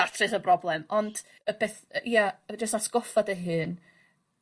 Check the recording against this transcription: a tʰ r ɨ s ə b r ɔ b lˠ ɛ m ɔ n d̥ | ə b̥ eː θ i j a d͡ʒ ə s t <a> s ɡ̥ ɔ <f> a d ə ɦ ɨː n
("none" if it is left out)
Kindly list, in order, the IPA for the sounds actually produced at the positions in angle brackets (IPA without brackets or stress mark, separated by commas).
a, f